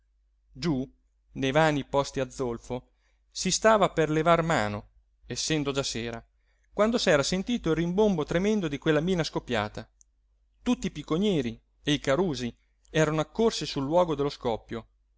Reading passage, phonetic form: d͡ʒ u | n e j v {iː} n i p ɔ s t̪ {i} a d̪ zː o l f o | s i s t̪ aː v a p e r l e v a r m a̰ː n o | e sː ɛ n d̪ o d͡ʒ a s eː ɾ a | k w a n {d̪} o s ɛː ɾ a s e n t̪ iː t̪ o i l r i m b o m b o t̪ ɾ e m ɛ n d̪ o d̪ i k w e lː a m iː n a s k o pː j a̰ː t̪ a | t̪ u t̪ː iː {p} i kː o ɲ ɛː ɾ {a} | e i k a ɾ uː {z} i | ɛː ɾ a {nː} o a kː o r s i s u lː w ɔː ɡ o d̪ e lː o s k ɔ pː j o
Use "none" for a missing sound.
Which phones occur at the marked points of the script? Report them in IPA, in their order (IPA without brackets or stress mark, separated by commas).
aː, i, d̪, p, i, z, n